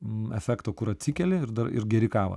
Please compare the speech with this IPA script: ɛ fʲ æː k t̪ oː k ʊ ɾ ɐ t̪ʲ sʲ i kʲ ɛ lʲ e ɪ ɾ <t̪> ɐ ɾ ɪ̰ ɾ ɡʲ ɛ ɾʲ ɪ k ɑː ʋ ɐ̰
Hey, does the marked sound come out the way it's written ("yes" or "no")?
no